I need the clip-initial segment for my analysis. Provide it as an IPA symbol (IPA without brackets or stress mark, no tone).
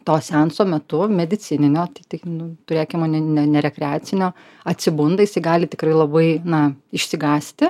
t̪